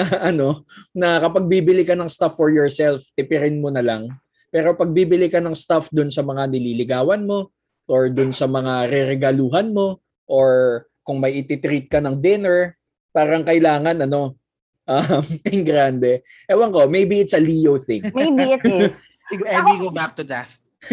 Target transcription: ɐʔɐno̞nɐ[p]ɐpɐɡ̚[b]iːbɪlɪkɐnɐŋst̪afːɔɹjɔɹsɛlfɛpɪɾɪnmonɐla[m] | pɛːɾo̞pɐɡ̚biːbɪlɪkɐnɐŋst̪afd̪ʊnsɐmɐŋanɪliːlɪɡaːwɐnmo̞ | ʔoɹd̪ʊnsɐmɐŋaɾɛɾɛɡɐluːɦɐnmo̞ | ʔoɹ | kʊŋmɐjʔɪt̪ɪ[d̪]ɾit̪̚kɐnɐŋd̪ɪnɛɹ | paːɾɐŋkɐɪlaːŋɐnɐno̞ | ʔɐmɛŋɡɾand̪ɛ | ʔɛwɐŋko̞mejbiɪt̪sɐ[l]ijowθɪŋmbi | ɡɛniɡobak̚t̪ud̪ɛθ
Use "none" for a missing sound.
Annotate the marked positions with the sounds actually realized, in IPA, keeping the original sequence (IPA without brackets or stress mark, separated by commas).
k, b, ŋ, t̪, l